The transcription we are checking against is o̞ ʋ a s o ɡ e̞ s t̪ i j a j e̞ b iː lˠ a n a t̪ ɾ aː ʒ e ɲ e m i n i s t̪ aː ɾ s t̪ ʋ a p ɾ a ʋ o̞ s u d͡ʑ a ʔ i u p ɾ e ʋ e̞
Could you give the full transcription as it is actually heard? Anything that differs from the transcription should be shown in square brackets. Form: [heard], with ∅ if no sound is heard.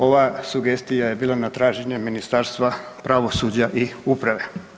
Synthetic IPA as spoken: o̞ ʋ a s [u] ɡ e̞ s t̪ i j a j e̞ b iː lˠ a n a t̪ ɾ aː ʒ e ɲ e m i n i s t̪ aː ɾ s t̪ ʋ a p ɾ a ʋ o̞ s u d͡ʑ a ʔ i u p ɾ [a] ʋ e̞